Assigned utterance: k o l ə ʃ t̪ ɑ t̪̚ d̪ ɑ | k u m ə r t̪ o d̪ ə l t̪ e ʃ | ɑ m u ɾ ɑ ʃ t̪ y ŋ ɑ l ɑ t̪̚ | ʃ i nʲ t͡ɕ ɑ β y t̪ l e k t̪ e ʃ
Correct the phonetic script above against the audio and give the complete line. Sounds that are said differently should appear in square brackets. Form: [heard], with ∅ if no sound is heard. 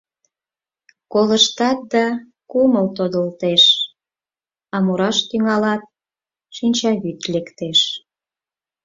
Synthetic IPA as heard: k o l ə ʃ t̪ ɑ t̪̚ d̪ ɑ | k u m ə [l] t̪ o d̪ ə l t̪ e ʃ | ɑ m u ɾ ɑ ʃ t̪ y ŋ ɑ l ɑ t̪̚ | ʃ i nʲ t͡ɕ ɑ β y t̪ l e k t̪ e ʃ

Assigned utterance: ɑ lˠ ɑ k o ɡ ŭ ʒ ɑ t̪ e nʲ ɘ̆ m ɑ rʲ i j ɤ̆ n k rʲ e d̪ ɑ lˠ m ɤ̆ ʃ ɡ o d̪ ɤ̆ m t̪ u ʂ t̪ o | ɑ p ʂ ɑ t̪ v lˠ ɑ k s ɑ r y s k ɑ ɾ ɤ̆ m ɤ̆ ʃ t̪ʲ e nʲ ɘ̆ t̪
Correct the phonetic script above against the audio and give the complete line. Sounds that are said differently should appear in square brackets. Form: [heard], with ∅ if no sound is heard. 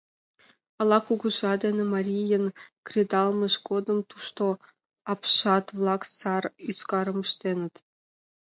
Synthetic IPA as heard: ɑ lˠ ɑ k [u] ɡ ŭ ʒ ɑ [d̪] e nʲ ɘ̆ m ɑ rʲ i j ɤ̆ n k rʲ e d̪ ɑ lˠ m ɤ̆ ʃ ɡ o d̪ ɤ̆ m t̪ u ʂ t̪ o | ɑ p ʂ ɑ t̪ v lˠ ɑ k s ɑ r y s k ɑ ɾ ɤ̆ m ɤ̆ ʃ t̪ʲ e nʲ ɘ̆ t̪

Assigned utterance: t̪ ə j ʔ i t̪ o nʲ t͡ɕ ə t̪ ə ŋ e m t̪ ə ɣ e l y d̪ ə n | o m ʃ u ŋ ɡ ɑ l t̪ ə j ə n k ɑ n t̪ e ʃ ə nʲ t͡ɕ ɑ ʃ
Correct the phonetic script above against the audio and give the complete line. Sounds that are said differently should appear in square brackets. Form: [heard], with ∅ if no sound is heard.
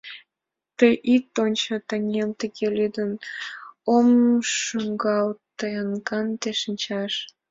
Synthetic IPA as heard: t̪ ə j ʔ i t̪ o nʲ t͡ɕ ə t̪ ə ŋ e m t̪ ə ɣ e l y d̪ ə n | o m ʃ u ŋ ɡ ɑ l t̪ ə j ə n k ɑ n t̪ e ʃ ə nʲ t͡ɕ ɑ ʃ

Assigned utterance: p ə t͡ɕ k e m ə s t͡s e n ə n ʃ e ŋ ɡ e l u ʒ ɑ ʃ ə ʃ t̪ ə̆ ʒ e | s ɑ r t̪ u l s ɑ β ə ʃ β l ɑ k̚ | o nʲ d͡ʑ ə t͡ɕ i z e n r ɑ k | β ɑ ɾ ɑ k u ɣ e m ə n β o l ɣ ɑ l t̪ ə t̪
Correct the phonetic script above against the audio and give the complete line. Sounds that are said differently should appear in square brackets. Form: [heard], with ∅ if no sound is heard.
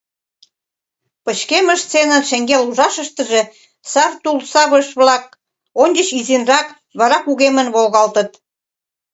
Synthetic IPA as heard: p ə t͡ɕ k e m ə [ʃ] t͡s e n ə n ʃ e ŋ ɡ e l u ʒ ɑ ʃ ə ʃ t̪ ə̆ ʒ e | s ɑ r t̪ u l s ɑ β ə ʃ β l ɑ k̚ | o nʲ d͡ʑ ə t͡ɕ i z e n r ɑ k | β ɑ ɾ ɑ k u ɣ e m ə n β o l ɣ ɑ l t̪ ə t̪

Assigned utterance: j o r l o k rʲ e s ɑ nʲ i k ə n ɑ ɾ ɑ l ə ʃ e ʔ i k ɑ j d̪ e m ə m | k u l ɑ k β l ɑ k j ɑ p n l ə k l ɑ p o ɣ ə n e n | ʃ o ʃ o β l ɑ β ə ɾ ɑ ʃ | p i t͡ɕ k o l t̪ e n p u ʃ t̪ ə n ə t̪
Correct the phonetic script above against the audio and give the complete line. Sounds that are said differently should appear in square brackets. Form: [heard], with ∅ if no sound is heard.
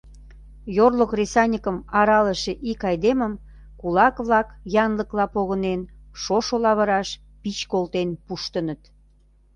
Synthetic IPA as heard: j o r l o k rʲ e s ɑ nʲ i k ə [m] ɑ ɾ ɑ l ə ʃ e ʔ i k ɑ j d̪ e m ə m | k u l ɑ k β l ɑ k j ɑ [∅] n l ə k l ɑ p o ɣ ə n e n | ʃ o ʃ o [∅] l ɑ β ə ɾ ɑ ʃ | p i t͡ɕ k o l t̪ e n p u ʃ t̪ ə n ə t̪

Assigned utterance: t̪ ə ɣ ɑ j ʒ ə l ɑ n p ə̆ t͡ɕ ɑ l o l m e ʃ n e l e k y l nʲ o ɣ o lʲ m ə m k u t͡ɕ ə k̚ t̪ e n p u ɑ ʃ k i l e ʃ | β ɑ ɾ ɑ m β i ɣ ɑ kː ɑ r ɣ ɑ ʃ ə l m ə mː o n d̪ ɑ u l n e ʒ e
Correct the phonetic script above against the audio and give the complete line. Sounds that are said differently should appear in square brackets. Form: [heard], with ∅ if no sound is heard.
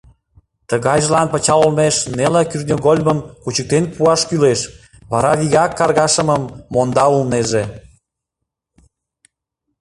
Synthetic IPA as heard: t̪ ə ɣ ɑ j ʒ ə l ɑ n p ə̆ t͡ɕ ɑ l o l m e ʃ n e l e k y [r] nʲ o ɣ o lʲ m ə m k u t͡ɕ ə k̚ t̪ e n p u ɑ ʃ k [y] l e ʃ | β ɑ ɾ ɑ [∅] β i ɣ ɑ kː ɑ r ɣ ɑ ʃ ə [∅] m ə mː o n d̪ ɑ u l n e ʒ e

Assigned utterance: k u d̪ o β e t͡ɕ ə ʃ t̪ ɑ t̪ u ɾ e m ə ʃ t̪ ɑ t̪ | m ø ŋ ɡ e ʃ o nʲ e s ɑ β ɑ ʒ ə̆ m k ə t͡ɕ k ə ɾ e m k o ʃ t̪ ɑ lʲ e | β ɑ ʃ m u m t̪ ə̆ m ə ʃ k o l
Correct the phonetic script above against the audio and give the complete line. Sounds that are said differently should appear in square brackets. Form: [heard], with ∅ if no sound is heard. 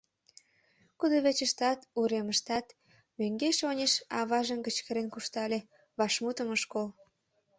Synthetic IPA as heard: k u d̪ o β e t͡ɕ ə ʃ t̪ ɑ t̪ u ɾ e m ə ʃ t̪ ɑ t̪ | m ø ŋ ɡ e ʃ o nʲ e [ʃ] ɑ β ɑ ʒ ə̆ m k ə t͡ɕ k ə ɾ e [n] k [u] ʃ t̪ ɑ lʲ e | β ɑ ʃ m u [∅] t̪ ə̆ m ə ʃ k o l

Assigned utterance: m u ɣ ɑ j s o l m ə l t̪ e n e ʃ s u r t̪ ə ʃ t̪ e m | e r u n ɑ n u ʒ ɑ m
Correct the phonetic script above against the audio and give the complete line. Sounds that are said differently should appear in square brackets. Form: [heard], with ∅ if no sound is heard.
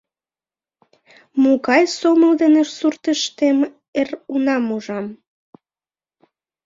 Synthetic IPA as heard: m u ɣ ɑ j s o [∅] m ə l [d̪] e n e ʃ s u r t̪ ə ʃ t̪ e m | e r u n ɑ [m] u ʒ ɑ m

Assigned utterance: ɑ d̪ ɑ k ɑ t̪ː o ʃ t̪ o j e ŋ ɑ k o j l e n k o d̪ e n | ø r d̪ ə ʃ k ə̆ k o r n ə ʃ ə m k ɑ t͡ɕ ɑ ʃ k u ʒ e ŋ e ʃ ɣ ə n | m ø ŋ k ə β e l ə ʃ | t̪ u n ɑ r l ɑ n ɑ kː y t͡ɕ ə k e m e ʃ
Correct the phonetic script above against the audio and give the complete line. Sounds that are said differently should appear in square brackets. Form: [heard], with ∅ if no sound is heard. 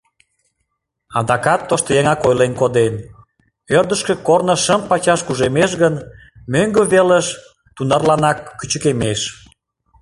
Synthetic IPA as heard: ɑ d̪ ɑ k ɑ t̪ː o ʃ t̪ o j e ŋ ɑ k o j l e n k o d̪ e n | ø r d̪ ə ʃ k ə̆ k o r n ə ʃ ə m [p] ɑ t͡ɕ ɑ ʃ k u ʒ e [m] e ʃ ɣ ə n | m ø ŋ [ɡ] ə β e l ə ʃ | t̪ u n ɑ r l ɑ n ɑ kː y t͡ɕ ə k e m e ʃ

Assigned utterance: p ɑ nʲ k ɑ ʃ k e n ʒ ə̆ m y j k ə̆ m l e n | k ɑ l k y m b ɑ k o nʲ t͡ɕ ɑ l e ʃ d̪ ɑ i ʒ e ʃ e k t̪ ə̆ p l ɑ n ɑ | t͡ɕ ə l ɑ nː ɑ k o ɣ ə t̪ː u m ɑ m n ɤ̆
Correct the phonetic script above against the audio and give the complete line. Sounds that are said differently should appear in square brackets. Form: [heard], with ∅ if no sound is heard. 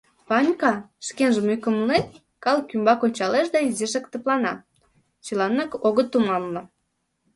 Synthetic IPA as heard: p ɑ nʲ k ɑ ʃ k e n ʒ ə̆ m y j k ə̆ m l e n | k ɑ l k y m b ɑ k o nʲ t͡ɕ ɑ l e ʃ d̪ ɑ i [z] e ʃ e k t̪ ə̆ p l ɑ n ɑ | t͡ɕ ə l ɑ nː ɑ k o ɣ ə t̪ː u m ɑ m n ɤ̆

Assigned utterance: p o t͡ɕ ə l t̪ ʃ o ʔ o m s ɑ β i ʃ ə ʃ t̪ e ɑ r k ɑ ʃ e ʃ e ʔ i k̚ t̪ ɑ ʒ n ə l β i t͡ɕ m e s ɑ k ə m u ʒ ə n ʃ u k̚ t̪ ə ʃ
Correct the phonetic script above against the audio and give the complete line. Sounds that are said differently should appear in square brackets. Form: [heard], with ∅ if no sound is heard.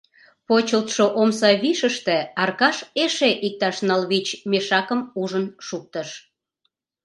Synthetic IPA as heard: p o t͡ɕ ə l t̪ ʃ o ʔ o m s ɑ β i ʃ ə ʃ t̪ e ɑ r k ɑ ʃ e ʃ e ʔ i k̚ t̪ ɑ [ʃ] n [ɑ] l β i t͡ɕ m e [ʃ] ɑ k ə m u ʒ ə n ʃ u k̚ t̪ ə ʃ

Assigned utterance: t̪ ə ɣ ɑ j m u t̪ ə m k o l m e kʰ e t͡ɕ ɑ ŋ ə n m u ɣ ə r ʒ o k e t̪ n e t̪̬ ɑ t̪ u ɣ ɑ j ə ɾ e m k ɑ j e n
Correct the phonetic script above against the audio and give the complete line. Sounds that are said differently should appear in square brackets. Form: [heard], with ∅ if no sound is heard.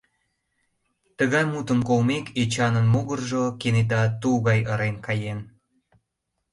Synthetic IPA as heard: t̪ ə ɣ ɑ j m u t̪ ə m k o l m e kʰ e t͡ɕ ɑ [n] ə n m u ɣ ə r ʒ o k e [∅] n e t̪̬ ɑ t̪ u ɣ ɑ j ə ɾ e [n] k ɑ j e n

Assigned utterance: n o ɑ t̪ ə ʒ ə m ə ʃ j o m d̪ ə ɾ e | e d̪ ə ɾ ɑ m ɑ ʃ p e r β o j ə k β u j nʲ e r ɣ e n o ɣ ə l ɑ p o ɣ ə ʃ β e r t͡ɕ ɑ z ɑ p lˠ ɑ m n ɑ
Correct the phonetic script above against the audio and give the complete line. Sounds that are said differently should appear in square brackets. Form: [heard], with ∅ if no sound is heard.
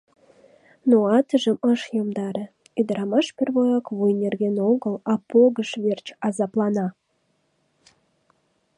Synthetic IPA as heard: n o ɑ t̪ ə ʒ ə m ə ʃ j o m d̪ [ɑ] ɾ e | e d̪ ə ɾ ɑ m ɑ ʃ p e r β o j [ɑ] k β u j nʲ e r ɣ e n o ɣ ə l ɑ p o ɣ ə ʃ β e r t͡ɕ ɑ z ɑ p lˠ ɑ [∅] n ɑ

